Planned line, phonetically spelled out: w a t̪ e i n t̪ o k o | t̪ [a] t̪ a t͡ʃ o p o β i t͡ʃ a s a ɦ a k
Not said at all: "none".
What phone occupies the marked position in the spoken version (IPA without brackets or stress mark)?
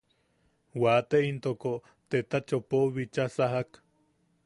e